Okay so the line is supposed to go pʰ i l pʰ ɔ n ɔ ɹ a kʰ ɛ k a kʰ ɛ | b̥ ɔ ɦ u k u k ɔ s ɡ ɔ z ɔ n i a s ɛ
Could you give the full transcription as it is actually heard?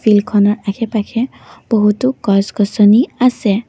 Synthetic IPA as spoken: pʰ i l kʰ ɔ n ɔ ɹ a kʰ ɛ p a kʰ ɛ | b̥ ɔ ɦ u t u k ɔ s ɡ ɔ s ɔ n i a s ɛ